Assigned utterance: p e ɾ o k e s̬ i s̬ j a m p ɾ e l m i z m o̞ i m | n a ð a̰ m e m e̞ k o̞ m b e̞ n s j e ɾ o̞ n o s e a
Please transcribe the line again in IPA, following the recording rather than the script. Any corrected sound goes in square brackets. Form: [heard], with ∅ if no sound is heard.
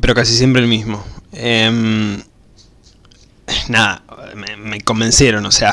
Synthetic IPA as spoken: p e ɾ o k [a] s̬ i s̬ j [e] m p ɾ e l m i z m o̞ [e] m | n a ð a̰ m e m e̞ k o̞ m b e̞ n s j e ɾ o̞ n o s e a